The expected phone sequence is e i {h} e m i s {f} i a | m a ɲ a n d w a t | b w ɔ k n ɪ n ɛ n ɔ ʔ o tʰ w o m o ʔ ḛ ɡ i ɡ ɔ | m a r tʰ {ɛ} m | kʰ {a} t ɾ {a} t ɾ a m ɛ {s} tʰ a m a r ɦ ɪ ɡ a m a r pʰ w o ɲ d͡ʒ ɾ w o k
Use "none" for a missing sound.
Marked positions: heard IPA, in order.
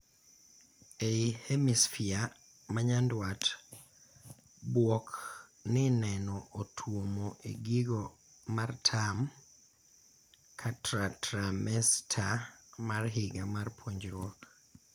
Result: h, f, a, a, a, s

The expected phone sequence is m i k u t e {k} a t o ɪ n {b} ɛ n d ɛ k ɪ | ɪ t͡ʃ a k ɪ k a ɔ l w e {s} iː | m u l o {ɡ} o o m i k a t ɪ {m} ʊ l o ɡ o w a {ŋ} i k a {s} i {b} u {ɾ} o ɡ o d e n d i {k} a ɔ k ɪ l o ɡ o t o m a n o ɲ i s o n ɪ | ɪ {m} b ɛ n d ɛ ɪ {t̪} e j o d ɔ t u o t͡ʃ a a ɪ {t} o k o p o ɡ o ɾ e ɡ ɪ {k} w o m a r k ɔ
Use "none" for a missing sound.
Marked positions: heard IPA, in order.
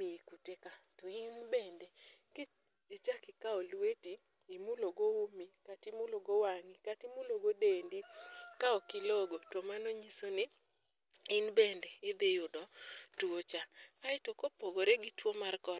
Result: k, b, t, ɡ, m, ŋ, t, m, l, k, n, d̪, t, t

